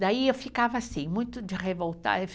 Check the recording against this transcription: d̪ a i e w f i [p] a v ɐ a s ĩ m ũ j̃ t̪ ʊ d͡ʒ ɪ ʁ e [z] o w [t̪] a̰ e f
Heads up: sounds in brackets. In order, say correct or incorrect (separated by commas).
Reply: incorrect, incorrect, correct